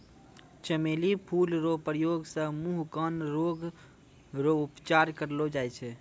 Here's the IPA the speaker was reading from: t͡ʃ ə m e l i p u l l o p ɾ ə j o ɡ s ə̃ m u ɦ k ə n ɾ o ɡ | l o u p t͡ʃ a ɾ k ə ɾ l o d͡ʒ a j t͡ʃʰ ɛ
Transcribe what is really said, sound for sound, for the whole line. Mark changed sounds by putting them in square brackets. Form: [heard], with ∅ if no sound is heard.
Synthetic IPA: t͡ʃ ə m e l i [pʰ] u l [ɾ] o p ɾ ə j o ɡ s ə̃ m u ɦ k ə n ɾ o ɡ | [ɾ] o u p t͡ʃ a ɾ k ə ɾ l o d͡ʒ a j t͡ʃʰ ɛ